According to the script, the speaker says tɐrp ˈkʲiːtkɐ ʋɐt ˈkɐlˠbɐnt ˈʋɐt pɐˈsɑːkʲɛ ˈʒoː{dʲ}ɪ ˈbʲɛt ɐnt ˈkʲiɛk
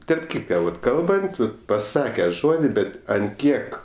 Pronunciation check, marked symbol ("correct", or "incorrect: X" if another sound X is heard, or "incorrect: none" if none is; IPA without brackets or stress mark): correct